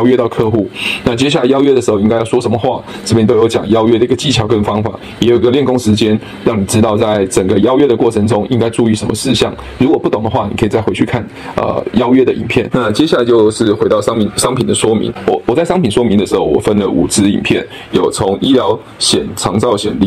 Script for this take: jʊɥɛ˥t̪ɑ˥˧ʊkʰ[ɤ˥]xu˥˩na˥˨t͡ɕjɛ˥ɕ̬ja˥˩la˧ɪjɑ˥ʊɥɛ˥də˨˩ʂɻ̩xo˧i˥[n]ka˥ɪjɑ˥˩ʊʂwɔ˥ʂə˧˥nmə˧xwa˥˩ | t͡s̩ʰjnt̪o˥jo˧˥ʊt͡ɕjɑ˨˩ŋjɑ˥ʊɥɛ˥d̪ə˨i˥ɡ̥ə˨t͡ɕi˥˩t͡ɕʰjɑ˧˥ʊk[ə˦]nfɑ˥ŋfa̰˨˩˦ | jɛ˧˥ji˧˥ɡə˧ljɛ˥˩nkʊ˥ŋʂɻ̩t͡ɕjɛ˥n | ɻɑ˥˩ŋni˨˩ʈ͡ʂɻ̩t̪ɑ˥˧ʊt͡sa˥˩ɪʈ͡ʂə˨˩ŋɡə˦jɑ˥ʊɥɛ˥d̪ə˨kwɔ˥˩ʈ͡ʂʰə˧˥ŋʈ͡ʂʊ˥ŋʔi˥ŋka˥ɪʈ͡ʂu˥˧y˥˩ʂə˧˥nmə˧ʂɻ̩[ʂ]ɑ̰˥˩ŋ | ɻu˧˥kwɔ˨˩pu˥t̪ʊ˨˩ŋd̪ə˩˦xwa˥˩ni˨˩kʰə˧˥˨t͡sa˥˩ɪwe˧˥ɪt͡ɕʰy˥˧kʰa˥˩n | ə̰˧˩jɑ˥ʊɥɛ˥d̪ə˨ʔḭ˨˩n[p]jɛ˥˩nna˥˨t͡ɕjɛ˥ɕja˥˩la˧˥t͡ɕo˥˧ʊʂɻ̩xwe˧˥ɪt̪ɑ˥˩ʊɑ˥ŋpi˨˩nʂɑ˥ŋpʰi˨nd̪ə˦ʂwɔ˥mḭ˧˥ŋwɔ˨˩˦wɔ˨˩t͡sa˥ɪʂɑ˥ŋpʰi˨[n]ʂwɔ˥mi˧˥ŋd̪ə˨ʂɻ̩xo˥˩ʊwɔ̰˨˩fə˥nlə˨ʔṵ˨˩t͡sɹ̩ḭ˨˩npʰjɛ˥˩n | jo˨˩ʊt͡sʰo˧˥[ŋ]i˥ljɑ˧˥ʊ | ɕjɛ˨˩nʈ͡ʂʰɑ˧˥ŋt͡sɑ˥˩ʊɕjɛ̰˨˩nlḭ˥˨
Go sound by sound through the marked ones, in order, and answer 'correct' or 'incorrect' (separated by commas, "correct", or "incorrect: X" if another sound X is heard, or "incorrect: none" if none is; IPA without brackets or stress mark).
incorrect: ɤ˥˧, incorrect: ŋ, incorrect: ə˥˩, incorrect: ɕ, incorrect: pʰ, correct, correct